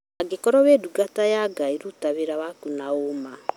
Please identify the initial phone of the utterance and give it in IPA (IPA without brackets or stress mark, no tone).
a